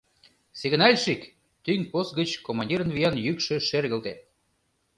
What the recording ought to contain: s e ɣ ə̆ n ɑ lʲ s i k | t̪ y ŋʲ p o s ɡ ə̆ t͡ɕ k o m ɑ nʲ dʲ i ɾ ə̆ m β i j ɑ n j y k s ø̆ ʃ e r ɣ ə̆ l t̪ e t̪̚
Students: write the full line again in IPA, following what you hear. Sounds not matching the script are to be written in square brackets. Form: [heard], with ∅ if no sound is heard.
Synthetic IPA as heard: s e ɣ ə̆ n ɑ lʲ [ʃ] i k | t̪ y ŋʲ p o s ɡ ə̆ t͡ɕ k o m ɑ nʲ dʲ i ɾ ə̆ [n] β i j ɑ n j y k [ʃ] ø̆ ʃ e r ɣ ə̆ l t̪ e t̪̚